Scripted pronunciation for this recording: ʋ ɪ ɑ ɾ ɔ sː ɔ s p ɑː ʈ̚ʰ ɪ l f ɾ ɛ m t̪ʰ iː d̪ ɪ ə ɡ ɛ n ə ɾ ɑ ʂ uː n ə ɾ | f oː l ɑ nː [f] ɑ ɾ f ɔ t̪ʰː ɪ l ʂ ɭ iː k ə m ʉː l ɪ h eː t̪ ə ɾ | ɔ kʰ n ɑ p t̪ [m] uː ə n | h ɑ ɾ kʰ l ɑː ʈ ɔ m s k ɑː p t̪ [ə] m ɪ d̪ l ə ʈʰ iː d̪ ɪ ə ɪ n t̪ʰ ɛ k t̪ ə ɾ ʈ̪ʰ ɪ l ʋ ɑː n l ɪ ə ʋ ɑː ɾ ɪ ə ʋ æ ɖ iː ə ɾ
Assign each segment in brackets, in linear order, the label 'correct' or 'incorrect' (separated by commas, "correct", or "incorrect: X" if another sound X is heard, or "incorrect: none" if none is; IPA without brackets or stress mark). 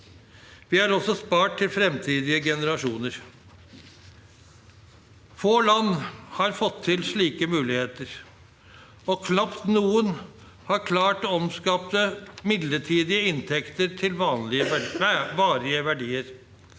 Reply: incorrect: h, incorrect: n, correct